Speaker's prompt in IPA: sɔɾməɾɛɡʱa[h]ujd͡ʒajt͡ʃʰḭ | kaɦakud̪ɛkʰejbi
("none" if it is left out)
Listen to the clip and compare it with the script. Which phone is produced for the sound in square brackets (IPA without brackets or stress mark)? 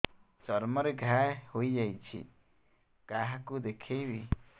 h